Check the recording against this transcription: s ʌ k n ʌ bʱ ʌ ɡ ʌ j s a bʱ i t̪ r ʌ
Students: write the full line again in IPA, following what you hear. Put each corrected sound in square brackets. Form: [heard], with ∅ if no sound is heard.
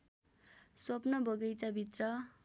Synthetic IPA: s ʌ [p] n ʌ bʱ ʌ ɡ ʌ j [t͡s] a bʱ i t̪ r ʌ